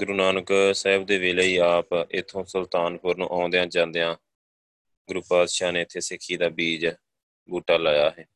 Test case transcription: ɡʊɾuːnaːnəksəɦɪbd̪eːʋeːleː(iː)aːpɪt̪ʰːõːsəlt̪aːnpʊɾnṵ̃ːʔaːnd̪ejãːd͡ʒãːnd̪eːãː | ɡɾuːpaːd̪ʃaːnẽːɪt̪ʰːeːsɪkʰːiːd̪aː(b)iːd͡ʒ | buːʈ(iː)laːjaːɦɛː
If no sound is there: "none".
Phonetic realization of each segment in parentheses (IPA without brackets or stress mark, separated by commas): iː, b, aː